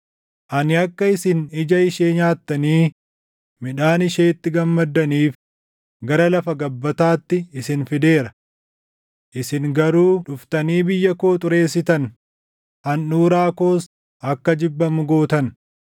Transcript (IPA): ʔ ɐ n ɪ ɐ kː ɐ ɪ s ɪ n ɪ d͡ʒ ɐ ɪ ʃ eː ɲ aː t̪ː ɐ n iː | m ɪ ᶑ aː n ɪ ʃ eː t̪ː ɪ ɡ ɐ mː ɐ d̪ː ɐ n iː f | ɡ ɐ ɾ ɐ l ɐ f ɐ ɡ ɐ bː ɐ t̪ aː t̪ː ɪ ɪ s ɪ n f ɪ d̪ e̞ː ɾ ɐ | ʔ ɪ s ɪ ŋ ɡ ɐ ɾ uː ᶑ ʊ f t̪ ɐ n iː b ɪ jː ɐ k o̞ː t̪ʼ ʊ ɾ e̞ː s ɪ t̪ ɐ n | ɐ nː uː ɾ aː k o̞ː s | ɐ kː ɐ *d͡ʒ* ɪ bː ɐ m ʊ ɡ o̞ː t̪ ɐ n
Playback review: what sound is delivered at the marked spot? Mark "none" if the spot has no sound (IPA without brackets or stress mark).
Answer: d͡ʒ